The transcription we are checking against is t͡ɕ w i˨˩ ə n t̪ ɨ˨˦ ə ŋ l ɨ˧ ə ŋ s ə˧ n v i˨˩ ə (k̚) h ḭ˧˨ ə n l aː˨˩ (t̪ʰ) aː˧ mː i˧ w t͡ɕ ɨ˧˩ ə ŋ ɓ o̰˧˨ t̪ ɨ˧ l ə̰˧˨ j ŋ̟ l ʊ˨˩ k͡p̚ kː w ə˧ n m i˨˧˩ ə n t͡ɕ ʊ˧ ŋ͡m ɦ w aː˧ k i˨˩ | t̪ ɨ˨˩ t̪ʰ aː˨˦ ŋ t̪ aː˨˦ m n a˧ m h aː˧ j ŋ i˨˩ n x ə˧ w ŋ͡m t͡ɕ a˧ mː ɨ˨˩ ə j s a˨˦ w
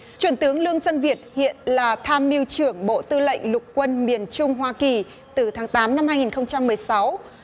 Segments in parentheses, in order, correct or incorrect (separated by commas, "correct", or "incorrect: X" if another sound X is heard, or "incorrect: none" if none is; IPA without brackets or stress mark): incorrect: t̚, correct